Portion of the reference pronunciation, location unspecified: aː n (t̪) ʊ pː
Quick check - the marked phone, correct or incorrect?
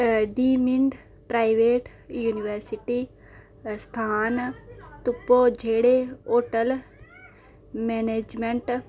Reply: correct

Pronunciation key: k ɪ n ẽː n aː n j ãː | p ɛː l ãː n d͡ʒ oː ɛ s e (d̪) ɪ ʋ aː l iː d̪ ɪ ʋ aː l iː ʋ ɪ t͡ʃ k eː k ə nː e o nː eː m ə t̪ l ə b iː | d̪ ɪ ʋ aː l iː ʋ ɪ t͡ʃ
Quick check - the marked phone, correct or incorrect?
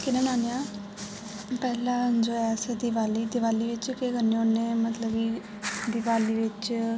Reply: correct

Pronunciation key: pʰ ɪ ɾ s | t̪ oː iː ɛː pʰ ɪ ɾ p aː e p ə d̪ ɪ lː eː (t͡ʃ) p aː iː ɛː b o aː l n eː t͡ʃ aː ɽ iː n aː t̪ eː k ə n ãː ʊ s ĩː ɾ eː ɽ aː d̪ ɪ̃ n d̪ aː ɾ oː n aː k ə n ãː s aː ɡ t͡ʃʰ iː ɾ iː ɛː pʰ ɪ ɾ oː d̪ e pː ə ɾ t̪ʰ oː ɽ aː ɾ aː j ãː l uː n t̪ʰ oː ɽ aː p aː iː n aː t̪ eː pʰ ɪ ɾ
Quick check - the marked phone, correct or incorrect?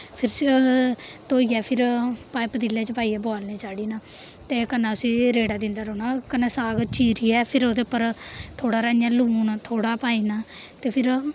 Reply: correct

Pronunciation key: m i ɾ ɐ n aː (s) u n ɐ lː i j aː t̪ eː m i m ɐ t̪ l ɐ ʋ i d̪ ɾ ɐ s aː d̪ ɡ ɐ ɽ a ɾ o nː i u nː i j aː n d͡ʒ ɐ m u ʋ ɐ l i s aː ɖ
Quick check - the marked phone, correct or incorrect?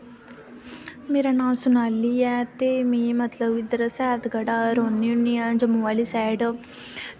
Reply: correct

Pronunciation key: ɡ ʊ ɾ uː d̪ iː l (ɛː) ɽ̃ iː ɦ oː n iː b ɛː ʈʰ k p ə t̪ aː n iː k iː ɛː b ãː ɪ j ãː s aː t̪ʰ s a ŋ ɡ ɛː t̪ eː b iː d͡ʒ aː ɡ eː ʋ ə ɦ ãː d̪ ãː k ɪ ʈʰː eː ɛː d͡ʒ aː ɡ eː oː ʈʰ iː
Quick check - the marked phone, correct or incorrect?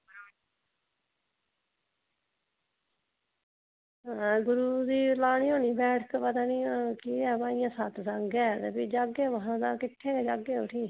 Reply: incorrect: aː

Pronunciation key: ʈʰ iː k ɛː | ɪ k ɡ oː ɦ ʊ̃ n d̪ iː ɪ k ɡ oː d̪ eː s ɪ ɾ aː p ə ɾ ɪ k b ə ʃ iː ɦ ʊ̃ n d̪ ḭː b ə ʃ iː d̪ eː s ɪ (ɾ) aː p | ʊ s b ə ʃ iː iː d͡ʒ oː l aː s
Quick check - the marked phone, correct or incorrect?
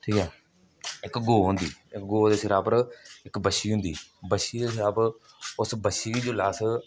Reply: correct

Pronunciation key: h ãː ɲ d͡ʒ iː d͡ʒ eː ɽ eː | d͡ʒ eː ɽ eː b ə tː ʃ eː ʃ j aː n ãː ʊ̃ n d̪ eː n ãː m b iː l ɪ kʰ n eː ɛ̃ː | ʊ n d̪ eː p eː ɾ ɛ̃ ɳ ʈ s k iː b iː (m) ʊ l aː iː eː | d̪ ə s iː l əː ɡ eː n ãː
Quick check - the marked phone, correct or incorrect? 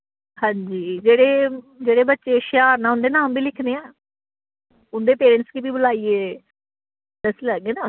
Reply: incorrect: b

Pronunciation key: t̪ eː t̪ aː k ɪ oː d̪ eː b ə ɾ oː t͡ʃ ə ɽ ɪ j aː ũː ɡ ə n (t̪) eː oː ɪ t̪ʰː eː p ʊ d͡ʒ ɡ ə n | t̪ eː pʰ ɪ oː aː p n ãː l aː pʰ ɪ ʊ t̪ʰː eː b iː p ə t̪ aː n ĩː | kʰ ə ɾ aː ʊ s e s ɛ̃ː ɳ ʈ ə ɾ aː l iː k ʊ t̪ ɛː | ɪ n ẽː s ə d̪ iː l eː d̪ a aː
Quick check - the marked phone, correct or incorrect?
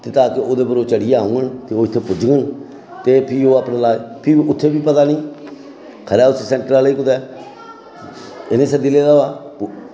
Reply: correct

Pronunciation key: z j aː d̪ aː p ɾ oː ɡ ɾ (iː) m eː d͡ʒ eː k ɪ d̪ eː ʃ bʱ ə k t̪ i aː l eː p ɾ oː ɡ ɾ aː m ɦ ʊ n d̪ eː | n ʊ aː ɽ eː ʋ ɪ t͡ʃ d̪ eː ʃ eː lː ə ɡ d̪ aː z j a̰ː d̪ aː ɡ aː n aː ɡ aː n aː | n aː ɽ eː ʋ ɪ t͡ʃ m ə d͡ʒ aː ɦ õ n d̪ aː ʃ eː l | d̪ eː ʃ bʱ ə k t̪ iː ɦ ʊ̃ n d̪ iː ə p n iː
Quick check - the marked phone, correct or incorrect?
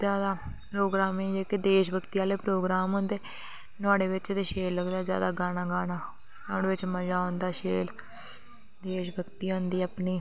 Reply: incorrect: aː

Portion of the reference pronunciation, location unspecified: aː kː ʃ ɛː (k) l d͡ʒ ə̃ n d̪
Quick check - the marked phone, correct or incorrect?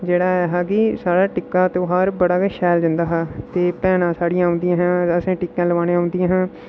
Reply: incorrect: none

